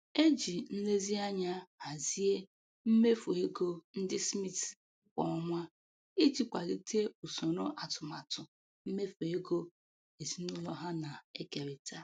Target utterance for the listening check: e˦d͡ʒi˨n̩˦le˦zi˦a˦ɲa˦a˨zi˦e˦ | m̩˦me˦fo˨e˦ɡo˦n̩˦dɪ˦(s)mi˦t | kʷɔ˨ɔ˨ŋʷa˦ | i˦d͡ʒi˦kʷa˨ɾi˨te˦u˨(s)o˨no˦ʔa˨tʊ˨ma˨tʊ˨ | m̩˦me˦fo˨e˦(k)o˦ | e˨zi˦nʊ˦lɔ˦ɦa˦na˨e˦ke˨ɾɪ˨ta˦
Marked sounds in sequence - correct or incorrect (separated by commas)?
correct, correct, incorrect